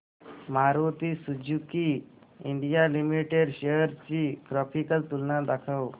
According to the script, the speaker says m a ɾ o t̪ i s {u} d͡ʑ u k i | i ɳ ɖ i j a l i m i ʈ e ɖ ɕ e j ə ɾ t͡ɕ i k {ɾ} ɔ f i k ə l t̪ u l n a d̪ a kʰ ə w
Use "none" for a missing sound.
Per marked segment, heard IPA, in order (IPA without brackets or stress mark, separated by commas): u, ɾ